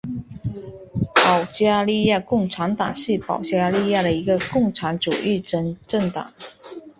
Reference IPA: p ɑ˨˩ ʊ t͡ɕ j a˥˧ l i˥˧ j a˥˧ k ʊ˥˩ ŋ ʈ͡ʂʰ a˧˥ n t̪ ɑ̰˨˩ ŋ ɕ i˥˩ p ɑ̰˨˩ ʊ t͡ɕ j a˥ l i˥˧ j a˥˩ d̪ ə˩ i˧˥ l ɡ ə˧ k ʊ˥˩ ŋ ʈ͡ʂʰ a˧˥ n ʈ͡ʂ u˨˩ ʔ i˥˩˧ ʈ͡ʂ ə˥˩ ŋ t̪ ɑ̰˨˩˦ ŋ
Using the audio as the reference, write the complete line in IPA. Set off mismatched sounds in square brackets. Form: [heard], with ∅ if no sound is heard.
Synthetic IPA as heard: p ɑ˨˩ ʊ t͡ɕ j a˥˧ l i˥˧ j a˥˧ k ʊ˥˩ ŋ ʈ͡ʂʰ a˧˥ n t̪ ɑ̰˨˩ ŋ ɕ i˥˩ p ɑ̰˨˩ ʊ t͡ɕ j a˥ l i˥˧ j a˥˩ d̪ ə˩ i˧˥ [∅] ɡ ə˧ k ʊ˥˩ ŋ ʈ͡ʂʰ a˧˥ n ʈ͡ʂ u˨˩ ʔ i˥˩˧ ʈ͡ʂ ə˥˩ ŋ t̪ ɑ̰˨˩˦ ŋ

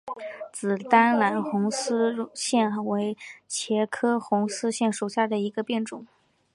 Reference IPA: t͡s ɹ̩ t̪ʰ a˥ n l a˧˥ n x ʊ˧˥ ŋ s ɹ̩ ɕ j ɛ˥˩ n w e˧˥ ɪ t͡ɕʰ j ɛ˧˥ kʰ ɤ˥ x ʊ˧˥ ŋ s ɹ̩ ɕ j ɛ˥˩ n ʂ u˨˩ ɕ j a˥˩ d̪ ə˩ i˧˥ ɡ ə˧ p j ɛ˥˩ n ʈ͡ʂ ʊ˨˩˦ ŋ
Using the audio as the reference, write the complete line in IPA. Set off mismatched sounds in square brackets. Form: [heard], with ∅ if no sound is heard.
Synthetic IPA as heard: t͡s ɹ̩ [t̪] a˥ n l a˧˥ n x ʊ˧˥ ŋ s ɹ̩ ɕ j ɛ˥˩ n w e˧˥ ɪ t͡ɕʰ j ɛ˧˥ kʰ ɤ˥ x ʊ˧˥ ŋ s ɹ̩ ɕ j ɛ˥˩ n ʂ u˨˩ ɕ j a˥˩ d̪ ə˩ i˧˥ ɡ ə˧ p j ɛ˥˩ n ʈ͡ʂ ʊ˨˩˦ ŋ

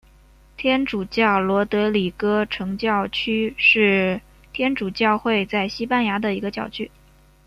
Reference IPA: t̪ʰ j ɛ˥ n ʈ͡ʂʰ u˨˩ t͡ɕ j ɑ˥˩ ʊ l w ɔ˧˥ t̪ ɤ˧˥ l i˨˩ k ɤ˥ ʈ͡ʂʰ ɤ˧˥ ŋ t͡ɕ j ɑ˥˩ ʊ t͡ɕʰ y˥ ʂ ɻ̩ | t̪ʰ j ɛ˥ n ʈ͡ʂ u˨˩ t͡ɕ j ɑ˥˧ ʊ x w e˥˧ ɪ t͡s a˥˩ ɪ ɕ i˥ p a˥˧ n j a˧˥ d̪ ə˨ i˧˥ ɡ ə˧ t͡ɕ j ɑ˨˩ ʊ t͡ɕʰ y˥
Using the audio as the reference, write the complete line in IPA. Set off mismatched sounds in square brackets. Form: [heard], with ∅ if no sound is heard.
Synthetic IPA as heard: t̪ʰ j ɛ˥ n [ʈ͡ʂ] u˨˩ t͡ɕ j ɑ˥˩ ʊ l w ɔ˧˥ t̪ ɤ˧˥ l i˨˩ k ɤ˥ ʈ͡ʂʰ ɤ˧˥ ŋ t͡ɕ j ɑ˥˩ ʊ t͡ɕʰ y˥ ʂ ɻ̩ | t̪ʰ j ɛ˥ n ʈ͡ʂ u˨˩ t͡ɕ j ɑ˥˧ ʊ x w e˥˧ ɪ t͡s a˥˩ ɪ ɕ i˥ p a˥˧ n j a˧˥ d̪ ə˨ i˧˥ ɡ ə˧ t͡ɕ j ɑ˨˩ ʊ t͡ɕʰ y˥

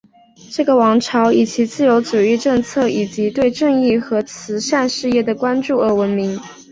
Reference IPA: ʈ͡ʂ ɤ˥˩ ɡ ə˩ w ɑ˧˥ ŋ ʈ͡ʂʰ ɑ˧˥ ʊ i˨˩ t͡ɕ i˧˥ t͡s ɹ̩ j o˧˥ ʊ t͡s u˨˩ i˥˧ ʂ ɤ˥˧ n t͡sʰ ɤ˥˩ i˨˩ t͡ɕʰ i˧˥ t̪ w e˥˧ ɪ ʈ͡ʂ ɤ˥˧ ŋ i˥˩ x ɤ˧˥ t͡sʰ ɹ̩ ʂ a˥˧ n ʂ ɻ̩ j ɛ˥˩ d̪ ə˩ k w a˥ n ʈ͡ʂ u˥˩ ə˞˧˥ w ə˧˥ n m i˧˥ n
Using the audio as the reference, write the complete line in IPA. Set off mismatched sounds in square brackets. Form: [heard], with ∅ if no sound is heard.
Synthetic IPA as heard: ʈ͡ʂ ɤ˥˩ ɡ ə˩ w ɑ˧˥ ŋ ʈ͡ʂʰ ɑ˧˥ ʊ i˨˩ t͡ɕ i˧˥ t͡s ɹ̩ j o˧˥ ʊ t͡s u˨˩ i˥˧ [ʈ͡ʂ] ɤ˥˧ [ŋ] t͡sʰ ɤ˥˩ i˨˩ [t͡ɕ] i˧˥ t̪ w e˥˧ ɪ ʈ͡ʂ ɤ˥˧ ŋ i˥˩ x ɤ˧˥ t͡sʰ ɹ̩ ʂ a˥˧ n ʂ ɻ̩ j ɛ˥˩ d̪ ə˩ k w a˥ n ʈ͡ʂ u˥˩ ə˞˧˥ w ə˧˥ n m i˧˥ [ŋ]

